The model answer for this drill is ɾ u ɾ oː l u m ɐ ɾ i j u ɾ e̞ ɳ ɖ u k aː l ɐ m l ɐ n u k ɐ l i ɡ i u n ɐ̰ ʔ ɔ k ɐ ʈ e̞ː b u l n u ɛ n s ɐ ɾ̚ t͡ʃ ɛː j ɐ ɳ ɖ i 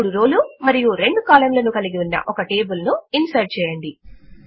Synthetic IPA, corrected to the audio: ɽ u ɾ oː l u m ɐ ɾ i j u ɾ e̞ ɳ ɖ u k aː l ɐ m l ɐ n u k ɐ l i ɡ i u nː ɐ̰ ʔ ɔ k ɐ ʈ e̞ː b u l n u i n s ɐ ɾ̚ t͡ʃ ɛː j ɐ ɳ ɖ i

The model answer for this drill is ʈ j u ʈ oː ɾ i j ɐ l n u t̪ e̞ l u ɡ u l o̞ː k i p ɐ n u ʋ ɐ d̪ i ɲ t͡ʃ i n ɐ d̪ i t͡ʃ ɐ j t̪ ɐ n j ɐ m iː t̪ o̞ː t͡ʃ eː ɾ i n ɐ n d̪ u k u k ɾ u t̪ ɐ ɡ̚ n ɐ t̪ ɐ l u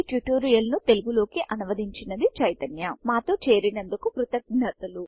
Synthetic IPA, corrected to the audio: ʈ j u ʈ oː ɾ i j ɐ l n u t̪ e̞ l u ɡ u l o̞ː k i ʔ ɐ n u ʋ ɐ d̪ i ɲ t͡ʃ i n ɐ d̪ i t͡ʃ ɐ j t̪ ɐ n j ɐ m aː t̪ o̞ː t͡ʃ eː ɾ i n ɐ n d̪ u k u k ɾ u t̪ ɐ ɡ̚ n ɐ t̪ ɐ l u

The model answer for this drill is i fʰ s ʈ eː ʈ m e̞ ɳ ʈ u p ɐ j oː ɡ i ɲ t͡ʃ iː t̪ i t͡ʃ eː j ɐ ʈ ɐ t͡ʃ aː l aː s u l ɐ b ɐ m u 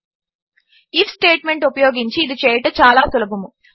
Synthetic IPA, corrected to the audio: i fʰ s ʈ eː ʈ m e̞ ɳ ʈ u p ɐ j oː ɡ i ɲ t͡ʃ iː d̪ i t͡ʃ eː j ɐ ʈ ɐ t͡ʃ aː l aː s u l ɐ b ɐ m u

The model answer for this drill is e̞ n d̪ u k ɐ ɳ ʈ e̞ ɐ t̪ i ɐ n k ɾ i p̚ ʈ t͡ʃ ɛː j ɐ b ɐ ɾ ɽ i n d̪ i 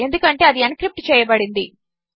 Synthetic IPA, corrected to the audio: e̞ n d̪ u k ɐ ɳ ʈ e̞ ɐ d̪ i ɐ n k ɾ i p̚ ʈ t͡ʃ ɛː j ɐ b ɐ ɽ i n d̪ i

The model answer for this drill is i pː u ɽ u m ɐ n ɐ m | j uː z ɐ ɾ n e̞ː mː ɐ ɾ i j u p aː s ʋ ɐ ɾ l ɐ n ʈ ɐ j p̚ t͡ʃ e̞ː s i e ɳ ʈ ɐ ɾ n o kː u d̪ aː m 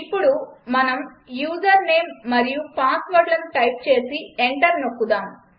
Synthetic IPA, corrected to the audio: i pː u ɽ u m ɐ n ɐ m | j uː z ɐ ɾ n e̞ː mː ɐ ɾ i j u p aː s ʋ ɐ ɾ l ɐ n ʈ ɐ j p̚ t͡ʃ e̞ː s i e ɳ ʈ ɐ ɾ n o kː u d̪ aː m

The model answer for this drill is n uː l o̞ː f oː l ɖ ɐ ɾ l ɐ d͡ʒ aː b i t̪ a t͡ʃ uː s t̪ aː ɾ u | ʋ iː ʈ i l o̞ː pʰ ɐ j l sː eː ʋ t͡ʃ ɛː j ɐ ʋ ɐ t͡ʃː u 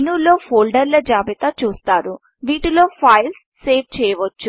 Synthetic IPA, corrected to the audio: n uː l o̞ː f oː l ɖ ɐ ɾ l ɐ d͡ʒ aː b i t̪ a t͡ʃ uː s t̪ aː ɾ u | ʋ iː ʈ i l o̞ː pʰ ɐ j l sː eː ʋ t͡ʃ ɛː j ɐ ʋ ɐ t͡ʃː u

